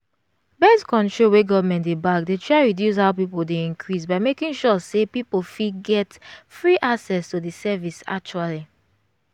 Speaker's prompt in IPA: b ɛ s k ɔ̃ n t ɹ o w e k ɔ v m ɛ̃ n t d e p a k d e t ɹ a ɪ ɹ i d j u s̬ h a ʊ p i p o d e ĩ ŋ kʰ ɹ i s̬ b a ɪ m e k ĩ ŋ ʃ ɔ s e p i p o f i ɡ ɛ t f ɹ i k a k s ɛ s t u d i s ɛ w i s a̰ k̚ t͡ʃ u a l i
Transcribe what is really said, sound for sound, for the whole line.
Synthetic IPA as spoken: b ɛ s k ɔ̃ n t ɹ o w e ɡ ɔ v m ɛ̃ n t d e b a k d e t ɹ a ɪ ɹ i d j u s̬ h a ʊ p i p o d e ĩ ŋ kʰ ɹ i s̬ b a ɪ m e k ĩ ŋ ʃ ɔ s e p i p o f i ɡ ɛ t f ɹ i ʔ a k s ɛ s t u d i s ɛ v i s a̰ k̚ t͡ʃ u a l i